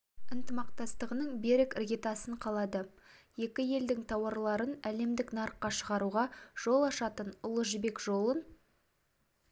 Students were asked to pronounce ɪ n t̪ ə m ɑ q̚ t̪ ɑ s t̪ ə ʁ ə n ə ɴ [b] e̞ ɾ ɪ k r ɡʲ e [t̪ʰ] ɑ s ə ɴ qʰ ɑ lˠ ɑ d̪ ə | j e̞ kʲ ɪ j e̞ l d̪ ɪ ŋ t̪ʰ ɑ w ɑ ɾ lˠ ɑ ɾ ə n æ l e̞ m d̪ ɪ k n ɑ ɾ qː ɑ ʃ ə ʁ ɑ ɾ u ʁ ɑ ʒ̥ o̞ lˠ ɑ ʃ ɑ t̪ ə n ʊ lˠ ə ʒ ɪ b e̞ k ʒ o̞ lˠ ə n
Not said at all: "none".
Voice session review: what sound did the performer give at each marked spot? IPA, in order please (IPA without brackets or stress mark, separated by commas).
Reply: b, t̪